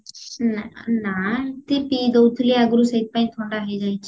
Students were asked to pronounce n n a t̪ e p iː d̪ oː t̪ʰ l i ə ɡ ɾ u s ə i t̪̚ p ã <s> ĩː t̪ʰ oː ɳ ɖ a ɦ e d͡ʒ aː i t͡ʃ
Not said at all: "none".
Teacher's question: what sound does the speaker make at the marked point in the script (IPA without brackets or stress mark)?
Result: none